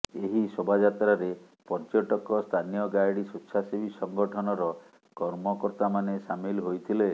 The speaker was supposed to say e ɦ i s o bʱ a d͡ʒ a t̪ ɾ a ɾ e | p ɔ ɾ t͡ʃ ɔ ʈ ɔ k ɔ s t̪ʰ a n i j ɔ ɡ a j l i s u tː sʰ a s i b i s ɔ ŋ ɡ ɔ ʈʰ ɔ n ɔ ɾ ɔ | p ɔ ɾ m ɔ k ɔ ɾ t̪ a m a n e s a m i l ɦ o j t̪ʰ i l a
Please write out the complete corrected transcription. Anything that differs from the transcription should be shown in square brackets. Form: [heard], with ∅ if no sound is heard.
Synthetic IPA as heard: e ɦ i s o bʱ a d͡ʒ a t̪ ɾ a ɾ e | p ɔ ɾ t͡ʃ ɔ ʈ ɔ k ɔ s t̪ʰ a n i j ɔ ɡ a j [ɽ] i s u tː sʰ a s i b i s ɔ ŋ ɡ ɔ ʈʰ ɔ n ɔ ɾ ɔ | [k] ɔ ɾ m ɔ k ɔ ɾ t̪ a m a n e s a m i l ɦ o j t̪ʰ i l [e]

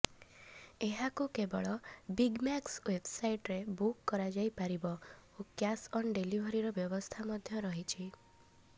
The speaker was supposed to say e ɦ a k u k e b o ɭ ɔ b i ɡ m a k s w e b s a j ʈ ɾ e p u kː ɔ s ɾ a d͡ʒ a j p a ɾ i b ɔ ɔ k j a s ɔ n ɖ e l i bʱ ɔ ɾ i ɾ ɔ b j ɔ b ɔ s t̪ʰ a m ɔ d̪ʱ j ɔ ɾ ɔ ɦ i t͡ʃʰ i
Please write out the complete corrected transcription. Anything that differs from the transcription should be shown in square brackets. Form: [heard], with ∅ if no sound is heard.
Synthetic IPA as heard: e ɦ a k u k e b [ɔ] ɭ ɔ b i ɡ m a k s w e b s a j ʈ ɾ e [b] u kː ɔ [∅] ɾ a d͡ʒ a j p a ɾ i b ɔ [o] k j a s ɔ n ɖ e l i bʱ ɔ ɾ i ɾ ɔ b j ɔ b ɔ s t̪ʰ a m ɔ d̪ʱ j ɔ ɾ ɔ ɦ i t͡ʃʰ i

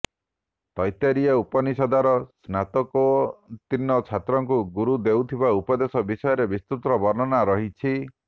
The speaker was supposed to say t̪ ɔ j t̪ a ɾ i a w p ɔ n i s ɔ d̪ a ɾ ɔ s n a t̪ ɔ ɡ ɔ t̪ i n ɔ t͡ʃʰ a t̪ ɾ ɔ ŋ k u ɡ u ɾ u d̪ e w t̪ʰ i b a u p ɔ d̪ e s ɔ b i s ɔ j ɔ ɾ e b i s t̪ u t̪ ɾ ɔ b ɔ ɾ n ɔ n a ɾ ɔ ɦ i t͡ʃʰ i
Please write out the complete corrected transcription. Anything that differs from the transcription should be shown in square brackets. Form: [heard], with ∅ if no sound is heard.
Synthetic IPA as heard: t̪ ɔ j t̪ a ɾ i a [u] p ɔ n i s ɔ d̪ a ɾ ɔ s n a t̪ ɔ [k] ɔ t̪ i n ɔ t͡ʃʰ a t̪ ɾ ɔ ŋ k u ɡ u ɾ u d̪ e w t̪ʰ i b a u p ɔ d̪ e s ɔ b i s ɔ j ɔ ɾ e b i s t̪ u t̪ ɾ ɔ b ɔ ɾ n ɔ n a ɾ ɔ ɦ i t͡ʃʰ i

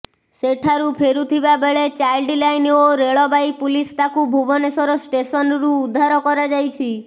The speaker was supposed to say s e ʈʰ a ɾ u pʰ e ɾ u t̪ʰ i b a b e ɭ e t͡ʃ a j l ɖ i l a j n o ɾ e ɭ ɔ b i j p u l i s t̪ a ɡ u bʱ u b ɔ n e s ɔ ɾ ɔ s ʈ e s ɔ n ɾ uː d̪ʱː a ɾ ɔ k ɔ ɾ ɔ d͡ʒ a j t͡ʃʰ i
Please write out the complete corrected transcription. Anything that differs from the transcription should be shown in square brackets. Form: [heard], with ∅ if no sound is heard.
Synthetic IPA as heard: s e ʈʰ a ɾ u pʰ e ɾ u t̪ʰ i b a b e ɭ e t͡ʃ a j l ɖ i l a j n o ɾ e ɭ ɔ b [a] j p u l i s t̪ a [k] u bʱ u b ɔ n e s ɔ ɾ ɔ s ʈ e s ɔ n ɾ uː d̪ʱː a ɾ ɔ k ɔ ɾ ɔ d͡ʒ a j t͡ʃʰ i

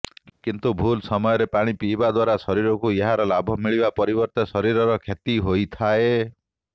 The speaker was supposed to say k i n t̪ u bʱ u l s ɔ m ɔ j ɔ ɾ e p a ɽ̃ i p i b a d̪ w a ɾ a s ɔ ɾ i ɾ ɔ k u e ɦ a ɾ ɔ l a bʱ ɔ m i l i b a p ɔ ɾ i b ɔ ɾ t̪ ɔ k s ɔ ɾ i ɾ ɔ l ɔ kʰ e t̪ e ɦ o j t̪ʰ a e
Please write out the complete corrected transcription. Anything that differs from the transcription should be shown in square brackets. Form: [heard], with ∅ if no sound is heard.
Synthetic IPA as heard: k i n t̪ u bʱ u l s ɔ m ɔ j ɔ ɾ e p a ɽ̃ i p i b a d̪ w a ɾ a s ɔ ɾ i ɾ ɔ k u e ɦ a ɾ ɔ l a bʱ ɔ m i [ɭ] i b a p ɔ ɾ i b ɔ ɾ t̪ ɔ [∅] s ɔ ɾ i ɾ ɔ [ɾ] ɔ kʰ e t̪ [i] ɦ o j t̪ʰ a e

